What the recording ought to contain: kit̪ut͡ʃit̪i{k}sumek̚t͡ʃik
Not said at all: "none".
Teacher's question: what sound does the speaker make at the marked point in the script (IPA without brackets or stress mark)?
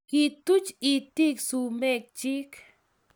k